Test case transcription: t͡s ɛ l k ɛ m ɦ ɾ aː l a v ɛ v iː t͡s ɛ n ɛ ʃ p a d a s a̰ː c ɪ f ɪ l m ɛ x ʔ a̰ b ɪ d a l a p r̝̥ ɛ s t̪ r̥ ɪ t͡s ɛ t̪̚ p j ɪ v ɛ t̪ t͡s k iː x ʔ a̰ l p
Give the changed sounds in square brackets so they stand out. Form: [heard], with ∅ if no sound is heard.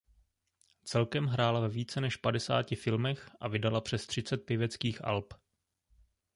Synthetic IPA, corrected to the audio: t͡s ɛ l k ɛ m ɦ ɾ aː l a v ɛ v iː t͡s ɛ n ɛ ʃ p a d [ɛ] s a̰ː c ɪ f ɪ l m ɛ x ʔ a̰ [v] ɪ d a l a p r̝̥ ɛ s t̪ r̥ ɪ t͡s ɛ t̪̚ p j ɪ v ɛ [∅] t͡s k iː x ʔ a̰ l p